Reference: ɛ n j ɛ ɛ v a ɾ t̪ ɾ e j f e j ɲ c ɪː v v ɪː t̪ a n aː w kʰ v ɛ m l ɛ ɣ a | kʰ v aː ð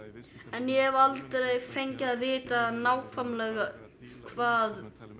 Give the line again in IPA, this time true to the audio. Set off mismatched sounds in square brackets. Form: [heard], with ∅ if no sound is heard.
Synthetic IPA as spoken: ɛ n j ɛ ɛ v a [l] t̪ ɾ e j f e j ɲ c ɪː [ð] v ɪː t̪ a n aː w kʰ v [a] m l ɛ ɣ a | kʰ v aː ð